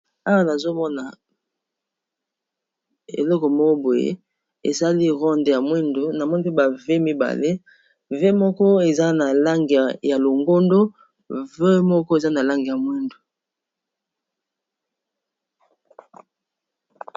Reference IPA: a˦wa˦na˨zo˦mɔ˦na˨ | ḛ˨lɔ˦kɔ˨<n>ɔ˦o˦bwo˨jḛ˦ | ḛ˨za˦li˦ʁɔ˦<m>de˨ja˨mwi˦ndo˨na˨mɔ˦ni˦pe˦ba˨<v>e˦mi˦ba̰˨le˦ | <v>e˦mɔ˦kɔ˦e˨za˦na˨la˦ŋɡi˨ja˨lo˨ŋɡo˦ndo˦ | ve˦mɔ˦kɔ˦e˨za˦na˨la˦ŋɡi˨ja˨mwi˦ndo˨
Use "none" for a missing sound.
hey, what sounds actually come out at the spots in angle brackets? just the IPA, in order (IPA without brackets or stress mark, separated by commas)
m, n, v, v